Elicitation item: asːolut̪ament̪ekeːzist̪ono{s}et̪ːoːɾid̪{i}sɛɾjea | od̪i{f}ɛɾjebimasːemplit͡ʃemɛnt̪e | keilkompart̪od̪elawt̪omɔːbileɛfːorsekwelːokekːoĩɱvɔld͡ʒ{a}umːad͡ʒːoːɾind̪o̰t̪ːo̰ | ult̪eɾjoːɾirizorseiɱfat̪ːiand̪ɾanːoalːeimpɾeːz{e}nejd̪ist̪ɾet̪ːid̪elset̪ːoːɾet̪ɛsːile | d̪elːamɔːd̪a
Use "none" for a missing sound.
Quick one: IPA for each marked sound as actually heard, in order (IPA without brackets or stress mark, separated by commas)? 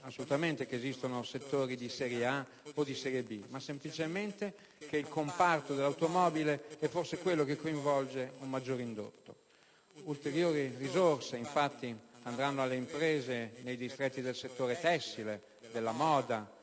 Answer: s, i, s, e, e